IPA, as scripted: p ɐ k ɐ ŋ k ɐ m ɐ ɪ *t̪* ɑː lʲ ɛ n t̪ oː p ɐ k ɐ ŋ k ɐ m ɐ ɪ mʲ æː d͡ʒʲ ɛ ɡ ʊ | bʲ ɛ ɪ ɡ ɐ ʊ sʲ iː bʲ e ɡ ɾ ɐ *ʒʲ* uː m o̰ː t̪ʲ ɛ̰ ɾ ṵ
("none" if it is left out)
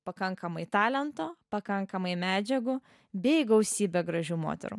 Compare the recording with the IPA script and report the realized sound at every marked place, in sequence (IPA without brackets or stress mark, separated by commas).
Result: t̪, ʒʲ